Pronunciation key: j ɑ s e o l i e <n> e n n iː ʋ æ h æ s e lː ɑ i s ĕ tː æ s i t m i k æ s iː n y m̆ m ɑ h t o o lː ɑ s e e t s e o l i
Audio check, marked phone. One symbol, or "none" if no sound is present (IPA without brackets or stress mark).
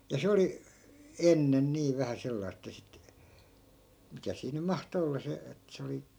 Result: nː